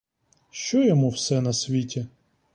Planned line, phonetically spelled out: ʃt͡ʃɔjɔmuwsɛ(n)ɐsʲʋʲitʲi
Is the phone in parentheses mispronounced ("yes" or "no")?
no